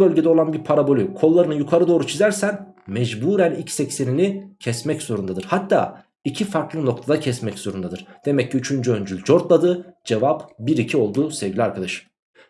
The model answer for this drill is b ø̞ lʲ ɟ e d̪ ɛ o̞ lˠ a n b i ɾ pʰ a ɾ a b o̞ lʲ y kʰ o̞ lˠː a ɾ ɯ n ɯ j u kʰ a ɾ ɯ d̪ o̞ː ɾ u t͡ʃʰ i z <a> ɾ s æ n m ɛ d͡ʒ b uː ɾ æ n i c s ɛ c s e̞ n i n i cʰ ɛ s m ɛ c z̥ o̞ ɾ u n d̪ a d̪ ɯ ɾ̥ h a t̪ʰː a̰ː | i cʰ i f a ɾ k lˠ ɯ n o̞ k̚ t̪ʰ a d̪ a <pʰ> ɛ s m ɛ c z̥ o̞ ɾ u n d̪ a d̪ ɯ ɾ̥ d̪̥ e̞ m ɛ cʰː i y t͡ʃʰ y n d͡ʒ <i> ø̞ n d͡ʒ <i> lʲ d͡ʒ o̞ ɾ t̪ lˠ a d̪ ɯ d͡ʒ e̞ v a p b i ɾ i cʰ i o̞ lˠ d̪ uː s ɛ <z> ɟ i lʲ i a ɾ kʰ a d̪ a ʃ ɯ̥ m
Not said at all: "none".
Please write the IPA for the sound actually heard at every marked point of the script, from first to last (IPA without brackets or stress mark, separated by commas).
æ, cʰ, y, y, v